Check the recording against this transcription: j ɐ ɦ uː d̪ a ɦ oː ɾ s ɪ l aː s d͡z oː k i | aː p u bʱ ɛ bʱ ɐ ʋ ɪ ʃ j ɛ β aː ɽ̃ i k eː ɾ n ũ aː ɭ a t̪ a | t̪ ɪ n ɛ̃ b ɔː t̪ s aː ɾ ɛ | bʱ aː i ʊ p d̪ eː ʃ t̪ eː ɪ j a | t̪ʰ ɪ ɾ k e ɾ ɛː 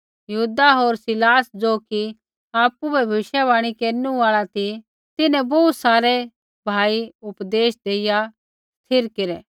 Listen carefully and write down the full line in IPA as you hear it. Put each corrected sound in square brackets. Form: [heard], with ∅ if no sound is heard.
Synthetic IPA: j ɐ ɦ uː d̪ a ɦ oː ɾ s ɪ l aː s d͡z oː k i | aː p u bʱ ɛ bʱ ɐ ʋ ɪ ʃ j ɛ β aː ɽ̃ i k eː ɾ n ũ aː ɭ a t̪ [i] | t̪ ɪ n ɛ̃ b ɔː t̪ s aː ɾ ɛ | bʱ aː i ʊ p d̪ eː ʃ [d̪] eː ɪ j a | t̪ʰ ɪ ɾ k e ɾ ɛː

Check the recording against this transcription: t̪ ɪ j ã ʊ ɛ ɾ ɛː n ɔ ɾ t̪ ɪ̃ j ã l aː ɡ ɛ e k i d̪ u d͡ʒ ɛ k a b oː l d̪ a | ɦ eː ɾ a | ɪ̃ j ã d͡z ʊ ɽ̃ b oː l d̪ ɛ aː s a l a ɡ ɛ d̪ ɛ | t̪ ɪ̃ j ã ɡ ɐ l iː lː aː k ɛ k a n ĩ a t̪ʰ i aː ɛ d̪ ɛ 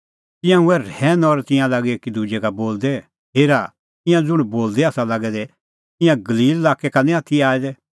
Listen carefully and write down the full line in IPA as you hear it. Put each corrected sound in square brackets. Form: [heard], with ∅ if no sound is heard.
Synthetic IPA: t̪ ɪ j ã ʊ ɛ ɾ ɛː n ɔ ɾ t̪ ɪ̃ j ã l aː ɡ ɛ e k i d̪ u d͡ʒ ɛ k a b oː l d̪ [ɛ] | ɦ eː ɾ a | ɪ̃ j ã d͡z ʊ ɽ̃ b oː l d̪ ɛ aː s a l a ɡ ɛ d̪ ɛ | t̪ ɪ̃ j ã ɡ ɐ l iː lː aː k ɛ k a n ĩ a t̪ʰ i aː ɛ d̪ ɛ

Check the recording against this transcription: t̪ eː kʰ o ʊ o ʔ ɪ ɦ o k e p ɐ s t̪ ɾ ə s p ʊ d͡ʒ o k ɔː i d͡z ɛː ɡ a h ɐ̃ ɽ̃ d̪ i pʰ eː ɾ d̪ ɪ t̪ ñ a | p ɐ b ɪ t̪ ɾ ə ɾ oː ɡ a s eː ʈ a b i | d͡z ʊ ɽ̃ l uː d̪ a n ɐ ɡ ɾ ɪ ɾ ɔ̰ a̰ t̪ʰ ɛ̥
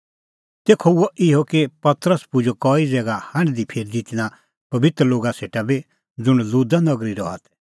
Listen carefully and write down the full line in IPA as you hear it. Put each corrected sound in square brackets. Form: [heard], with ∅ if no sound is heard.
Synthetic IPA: t̪ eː kʰ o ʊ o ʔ ɪ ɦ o k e p ɐ [∅] t̪ ɾ ə s p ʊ d͡ʒ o k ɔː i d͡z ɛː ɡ a h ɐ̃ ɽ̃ d̪ i pʰ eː ɾ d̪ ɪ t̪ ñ a | p ɐ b ɪ t̪ ɾ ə [l] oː ɡ a s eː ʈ a b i | d͡z ʊ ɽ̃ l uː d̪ a n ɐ ɡ ɾ [i] ɾ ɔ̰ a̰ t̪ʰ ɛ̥

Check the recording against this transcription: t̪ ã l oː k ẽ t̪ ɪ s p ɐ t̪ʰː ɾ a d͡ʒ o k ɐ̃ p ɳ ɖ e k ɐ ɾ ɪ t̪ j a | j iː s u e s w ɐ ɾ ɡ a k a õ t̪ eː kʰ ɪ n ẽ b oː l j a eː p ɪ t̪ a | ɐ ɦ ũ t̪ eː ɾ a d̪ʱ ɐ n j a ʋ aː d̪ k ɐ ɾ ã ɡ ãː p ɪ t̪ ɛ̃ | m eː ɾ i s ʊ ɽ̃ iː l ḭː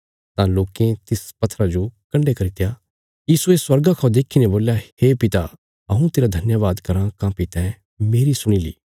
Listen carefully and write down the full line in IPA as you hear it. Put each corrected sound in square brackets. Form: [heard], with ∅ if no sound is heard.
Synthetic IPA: t̪ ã l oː k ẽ t̪ ɪ s p ɐ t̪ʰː ɾ a d͡ʒ o k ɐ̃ [∅] ɳ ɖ e k ɐ ɾ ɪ t̪ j a | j iː s u e s w ɐ ɾ ɡ a [kʰ] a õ [d̪] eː kʰ [i] n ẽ b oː l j a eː p ɪ t̪ a | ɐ ɦ ũ t̪ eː ɾ a d̪ʱ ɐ n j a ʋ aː d̪ k ɐ ɾ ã [k] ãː p ɪ t̪ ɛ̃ | m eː ɾ i s ʊ ɽ̃ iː l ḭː

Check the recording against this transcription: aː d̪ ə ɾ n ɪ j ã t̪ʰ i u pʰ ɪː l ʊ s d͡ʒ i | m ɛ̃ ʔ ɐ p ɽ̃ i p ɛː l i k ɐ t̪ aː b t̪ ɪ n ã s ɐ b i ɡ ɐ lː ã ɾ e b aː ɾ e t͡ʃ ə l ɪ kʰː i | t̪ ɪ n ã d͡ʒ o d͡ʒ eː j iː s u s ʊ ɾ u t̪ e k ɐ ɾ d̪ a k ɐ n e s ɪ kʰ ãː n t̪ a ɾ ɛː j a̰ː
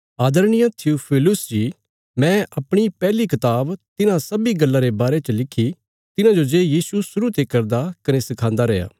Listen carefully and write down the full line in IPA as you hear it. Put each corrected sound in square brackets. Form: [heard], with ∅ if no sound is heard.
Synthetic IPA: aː d̪ ə ɾ n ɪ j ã t̪ʰ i u pʰ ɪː l ʊ s d͡ʒ i | m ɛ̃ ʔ ɐ p ɽ̃ i p ɛː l i k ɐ t̪ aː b t̪ ɪ n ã s ɐ b i ɡ ɐ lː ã ɾ e b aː ɾ e t͡ʃ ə l ɪ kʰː i | t̪ ɪ n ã d͡ʒ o d͡ʒ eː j iː s u s ʊ ɾ u t̪ e k ɐ ɾ d̪ a k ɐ n e s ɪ kʰ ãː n [d̪] a ɾ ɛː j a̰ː

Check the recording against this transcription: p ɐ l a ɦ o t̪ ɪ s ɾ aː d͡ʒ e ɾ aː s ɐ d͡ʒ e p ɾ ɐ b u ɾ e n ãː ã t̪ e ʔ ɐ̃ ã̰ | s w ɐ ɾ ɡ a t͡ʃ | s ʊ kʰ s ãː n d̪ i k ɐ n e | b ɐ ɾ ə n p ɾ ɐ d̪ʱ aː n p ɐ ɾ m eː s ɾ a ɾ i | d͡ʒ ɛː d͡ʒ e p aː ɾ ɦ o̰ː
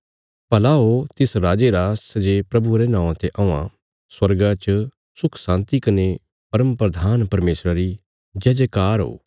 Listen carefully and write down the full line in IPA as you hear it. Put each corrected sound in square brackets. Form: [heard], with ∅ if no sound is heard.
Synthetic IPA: p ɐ l a ɦ o t̪ ɪ s ɾ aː d͡ʒ e ɾ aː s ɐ d͡ʒ e p ɾ ɐ b u ɾ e n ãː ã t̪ e ʔ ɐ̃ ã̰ | s w ɐ ɾ ɡ a t͡ʃ | s ʊ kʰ s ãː n [t̪] i k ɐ n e | [p] ɐ ɾ ə [m] p ɾ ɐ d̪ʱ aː n p ɐ ɾ m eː s ɾ a ɾ i | d͡ʒ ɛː d͡ʒ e [k] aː ɾ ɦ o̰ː

